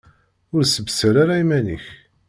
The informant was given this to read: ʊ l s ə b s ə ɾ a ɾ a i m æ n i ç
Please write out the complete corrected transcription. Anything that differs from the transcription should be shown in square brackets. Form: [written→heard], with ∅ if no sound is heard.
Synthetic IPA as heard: ʊ [l→ɾ] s ə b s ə ɾ a ɾ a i m æ n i ç